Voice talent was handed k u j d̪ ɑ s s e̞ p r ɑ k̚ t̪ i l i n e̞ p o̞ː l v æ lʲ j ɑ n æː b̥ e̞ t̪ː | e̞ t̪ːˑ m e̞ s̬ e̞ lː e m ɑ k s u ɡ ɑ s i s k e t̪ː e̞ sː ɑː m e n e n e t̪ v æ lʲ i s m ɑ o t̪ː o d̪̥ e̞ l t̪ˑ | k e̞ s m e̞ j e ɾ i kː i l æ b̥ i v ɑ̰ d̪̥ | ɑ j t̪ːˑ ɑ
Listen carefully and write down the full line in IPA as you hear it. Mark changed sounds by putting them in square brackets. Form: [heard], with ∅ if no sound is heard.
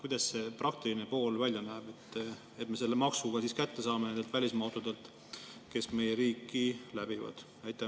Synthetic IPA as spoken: k u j d̪ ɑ s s e̞ p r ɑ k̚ t̪ i l i n e̞ p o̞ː l v æ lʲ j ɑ n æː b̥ e̞ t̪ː | e̞ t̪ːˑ m e̞ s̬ e̞ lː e m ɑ k s u ɡ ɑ s i s k [æ] t̪ː e̞ [s] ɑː m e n e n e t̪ v æ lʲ i s m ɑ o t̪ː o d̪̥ e̞ l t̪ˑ | k e̞ s m e̞ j e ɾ [iː] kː i l æ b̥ i v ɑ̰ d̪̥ | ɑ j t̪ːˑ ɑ